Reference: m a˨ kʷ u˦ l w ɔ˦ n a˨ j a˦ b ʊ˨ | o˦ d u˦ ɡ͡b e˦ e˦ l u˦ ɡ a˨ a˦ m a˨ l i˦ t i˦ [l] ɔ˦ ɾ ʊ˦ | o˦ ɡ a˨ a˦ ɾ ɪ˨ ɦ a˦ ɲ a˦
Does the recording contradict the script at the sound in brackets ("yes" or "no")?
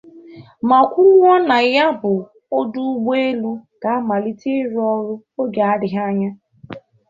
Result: yes